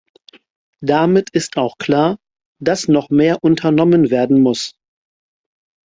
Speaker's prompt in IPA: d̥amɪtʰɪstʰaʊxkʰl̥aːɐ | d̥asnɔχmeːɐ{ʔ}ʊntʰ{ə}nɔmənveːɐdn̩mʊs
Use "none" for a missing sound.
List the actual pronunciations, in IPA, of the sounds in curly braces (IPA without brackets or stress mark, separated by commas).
ʔ, ɐ